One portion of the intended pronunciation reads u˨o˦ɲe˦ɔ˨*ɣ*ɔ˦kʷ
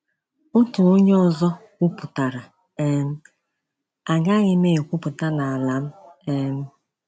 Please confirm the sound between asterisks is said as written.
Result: no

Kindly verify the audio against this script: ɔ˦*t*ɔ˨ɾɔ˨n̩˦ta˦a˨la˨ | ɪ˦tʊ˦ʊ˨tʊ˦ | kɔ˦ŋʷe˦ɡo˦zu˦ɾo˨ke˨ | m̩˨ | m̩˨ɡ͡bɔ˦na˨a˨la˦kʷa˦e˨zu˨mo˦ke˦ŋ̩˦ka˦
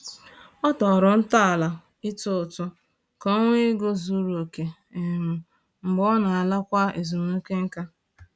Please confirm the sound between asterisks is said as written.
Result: yes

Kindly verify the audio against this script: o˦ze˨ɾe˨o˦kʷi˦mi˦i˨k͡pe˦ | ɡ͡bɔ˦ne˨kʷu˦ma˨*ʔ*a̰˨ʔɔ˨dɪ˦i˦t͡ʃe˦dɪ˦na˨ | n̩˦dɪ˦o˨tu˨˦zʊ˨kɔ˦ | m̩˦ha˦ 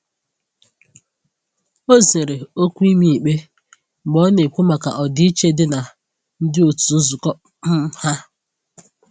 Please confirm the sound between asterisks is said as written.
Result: no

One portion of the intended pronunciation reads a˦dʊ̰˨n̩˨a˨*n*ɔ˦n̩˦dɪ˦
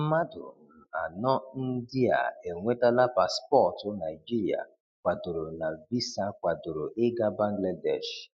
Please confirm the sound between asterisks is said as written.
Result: yes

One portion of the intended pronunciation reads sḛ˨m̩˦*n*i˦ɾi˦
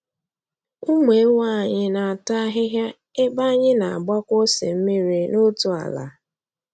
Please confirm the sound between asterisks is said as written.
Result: no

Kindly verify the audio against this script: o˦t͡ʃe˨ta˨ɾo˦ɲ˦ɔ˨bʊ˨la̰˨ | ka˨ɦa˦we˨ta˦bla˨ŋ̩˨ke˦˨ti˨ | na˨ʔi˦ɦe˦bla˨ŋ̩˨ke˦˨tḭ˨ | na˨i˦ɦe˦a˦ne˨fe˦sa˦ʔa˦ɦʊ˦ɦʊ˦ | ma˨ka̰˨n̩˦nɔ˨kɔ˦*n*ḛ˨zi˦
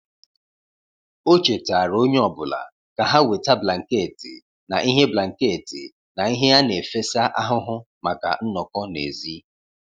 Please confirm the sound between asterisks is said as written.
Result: yes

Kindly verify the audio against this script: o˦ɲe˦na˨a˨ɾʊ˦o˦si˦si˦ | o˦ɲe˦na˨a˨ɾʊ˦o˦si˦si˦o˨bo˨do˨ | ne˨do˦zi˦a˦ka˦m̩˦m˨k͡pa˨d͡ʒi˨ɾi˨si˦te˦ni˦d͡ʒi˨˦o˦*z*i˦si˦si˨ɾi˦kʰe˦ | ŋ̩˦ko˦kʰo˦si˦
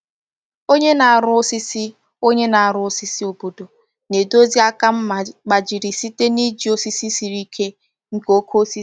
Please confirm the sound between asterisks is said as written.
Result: no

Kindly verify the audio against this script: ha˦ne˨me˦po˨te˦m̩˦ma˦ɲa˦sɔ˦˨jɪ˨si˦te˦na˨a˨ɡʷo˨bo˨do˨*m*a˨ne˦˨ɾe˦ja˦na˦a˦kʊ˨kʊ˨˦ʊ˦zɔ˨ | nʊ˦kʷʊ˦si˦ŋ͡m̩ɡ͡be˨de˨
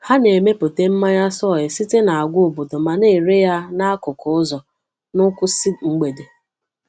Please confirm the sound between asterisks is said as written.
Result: yes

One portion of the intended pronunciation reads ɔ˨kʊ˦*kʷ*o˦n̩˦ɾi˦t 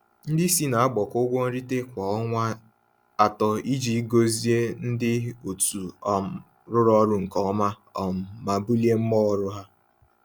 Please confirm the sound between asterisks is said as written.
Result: no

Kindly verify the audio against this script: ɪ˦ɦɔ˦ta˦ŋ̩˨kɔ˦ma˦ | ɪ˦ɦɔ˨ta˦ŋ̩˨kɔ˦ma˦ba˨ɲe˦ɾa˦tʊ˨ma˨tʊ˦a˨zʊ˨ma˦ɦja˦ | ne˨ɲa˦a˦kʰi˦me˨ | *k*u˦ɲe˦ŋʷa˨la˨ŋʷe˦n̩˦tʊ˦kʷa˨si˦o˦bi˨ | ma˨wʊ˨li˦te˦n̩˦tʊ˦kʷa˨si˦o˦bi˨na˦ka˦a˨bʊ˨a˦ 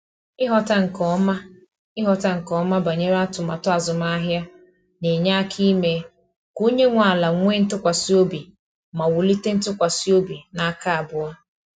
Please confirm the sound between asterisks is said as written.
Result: yes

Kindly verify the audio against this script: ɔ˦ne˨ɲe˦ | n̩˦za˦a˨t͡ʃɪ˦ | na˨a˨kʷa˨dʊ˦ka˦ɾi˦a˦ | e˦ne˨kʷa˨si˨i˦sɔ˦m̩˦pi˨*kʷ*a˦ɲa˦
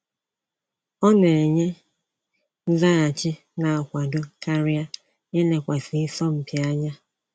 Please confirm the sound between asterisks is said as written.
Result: no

